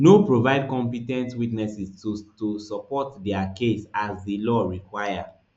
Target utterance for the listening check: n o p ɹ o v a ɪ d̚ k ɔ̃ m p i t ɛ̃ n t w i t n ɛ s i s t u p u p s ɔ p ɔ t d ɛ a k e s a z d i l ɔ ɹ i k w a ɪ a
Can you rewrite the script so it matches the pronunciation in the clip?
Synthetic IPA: n o p ɹ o v a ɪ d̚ k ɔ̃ m p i t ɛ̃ n t w i t n ɛ s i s t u t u s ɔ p ɔ t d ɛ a k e s a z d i l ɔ ɹ i k w a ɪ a